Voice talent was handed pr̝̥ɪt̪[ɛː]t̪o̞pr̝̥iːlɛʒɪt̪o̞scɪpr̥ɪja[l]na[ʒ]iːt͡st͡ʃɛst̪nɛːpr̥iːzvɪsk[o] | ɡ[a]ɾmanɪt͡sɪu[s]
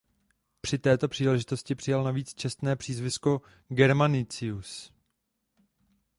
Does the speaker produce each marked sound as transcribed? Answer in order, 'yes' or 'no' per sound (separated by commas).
yes, yes, no, yes, no, yes